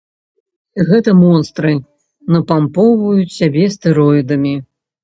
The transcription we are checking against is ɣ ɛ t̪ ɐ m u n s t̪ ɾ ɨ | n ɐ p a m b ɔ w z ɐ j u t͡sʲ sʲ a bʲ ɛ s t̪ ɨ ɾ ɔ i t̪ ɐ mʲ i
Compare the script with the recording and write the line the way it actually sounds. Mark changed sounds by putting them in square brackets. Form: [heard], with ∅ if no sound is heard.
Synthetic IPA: ɣ ɛ t̪ ɐ m [ɔ] n s t̪ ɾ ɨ | n ɐ p a m [p] ɔ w [v] ɐ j u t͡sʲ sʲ a bʲ ɛ s t̪ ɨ ɾ ɔ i [d̪] ɐ mʲ i